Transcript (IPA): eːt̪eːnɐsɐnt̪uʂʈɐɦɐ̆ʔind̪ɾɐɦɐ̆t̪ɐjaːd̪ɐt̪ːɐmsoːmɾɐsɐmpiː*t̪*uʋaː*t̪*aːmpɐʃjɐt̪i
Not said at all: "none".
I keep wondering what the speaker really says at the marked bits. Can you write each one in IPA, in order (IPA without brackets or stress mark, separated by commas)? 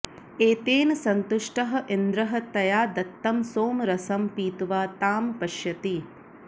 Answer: t̪, t̪